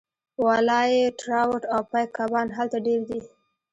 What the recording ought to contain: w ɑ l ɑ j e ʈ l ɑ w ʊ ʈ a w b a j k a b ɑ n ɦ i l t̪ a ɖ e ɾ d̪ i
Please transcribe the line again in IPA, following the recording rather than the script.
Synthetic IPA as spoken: w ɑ l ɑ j e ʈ ɾ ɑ w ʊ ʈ a w p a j k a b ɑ n ɦ a l t̪ a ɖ e ɾ d̪ i

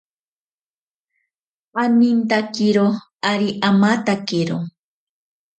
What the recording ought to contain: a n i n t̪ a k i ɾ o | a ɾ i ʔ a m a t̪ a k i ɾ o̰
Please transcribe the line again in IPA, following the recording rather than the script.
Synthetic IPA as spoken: a n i n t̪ a k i ɾ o | a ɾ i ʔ a m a t̪ a k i ɾ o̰

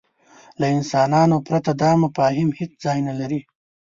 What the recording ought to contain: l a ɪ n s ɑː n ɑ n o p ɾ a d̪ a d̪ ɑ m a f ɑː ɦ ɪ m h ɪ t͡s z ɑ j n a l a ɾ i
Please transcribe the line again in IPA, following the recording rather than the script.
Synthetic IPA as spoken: l a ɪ n s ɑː n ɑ n o p ɾ a t̪ a d̪ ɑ m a f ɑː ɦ ɪ m h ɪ t͡s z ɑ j n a l a ɾ i

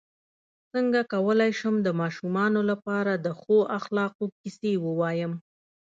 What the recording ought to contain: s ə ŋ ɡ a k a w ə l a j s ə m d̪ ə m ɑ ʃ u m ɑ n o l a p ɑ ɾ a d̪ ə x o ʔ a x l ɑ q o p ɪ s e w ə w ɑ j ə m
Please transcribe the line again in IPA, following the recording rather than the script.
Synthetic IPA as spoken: s ə ŋ ɡ a k a w ə l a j ʃ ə m d̪ ə m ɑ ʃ u m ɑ n o l a p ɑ ɾ a d̪ ə x o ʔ a x l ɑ q o k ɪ s e w ə w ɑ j ə m

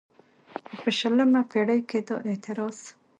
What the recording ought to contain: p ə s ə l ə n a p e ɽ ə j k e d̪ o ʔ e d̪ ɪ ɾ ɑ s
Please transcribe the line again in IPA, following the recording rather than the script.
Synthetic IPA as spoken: p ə ʃ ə l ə m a p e ɽ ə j k e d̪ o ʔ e t̪ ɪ ɾ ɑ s

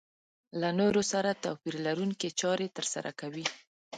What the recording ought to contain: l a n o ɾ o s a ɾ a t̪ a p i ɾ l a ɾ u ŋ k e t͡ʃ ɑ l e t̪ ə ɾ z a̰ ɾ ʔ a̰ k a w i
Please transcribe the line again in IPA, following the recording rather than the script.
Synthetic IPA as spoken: l a n o ɾ o s a ɾ a t̪ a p i ɾ l a ɾ u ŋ k e t͡ʃ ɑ ɾ e t̪ ə ɾ s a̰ ɾ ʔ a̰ k a w i

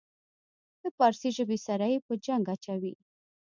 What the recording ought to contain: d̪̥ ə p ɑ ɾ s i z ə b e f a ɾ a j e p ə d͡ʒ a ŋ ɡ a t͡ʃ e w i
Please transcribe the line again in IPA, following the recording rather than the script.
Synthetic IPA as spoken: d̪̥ ə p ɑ ɾ s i ʒ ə b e s a ɾ a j e p ə d͡ʒ a ŋ ɡ a t͡ʃ a w i

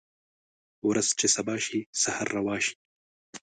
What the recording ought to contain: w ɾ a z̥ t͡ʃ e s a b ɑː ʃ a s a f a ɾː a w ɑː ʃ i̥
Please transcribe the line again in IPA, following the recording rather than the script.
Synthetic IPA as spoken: w ɾ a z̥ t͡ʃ e s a b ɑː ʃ i s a h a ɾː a w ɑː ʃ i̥

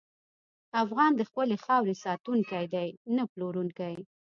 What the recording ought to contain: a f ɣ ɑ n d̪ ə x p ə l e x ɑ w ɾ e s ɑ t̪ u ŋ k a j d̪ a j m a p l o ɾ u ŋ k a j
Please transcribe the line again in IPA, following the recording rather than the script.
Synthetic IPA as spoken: a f ɣ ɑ n d̪ ə x p ə l e x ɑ w ɾ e s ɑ t̪ u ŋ k a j d̪ a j n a p l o ɾ u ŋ k a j

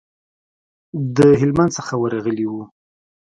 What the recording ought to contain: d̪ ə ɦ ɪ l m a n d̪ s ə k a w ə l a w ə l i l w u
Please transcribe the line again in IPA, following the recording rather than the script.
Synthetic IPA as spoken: d̪ ə ɦ ɪ l m a n d̪ s ə x a w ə ɾ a ɣ ə l i w u

